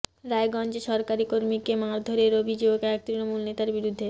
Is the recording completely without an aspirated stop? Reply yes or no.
yes